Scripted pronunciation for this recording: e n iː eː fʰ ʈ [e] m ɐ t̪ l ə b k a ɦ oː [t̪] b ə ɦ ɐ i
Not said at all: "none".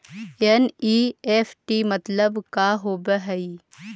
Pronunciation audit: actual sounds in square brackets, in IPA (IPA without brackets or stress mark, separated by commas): i, none